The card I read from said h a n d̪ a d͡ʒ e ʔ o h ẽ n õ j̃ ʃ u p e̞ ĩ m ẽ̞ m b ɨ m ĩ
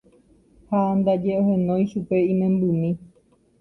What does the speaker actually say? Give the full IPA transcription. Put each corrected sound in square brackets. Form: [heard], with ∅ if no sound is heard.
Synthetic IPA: h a n d̪ a d͡ʒ e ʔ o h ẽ n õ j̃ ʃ u p e̞ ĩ m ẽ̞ m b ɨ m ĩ